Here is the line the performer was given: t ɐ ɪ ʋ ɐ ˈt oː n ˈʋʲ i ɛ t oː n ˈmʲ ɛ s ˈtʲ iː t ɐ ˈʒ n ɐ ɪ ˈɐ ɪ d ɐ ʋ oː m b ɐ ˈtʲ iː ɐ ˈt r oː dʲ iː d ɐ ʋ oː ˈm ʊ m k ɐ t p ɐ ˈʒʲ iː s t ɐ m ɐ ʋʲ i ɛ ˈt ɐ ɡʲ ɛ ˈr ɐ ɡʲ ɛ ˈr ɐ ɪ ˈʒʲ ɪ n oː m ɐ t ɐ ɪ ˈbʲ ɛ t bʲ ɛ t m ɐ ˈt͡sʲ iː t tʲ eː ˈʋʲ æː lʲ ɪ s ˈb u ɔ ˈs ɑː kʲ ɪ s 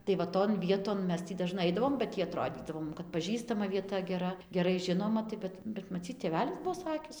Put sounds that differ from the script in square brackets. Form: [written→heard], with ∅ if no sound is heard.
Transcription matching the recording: t ɐ ɪ ʋ ɐ ˈt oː n ˈʋʲ i ɛ t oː n ˈmʲ ɛ s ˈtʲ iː [t→d] ɐ ˈʒ n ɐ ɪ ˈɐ ɪ d ɐ ʋ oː m b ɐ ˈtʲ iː ɐ ˈt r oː dʲ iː d ɐ ʋ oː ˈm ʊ m k ɐ t p ɐ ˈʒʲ iː s t ɐ m ɐ ʋʲ i ɛ ˈt ɐ ɡʲ ɛ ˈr ɐ ɡʲ ɛ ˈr ɐ ɪ ˈʒʲ ɪ n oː m ɐ t ɐ ɪ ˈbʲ ɛ t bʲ ɛ t m ɐ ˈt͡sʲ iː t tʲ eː ˈʋʲ æː lʲ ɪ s ˈb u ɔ ˈs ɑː kʲ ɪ s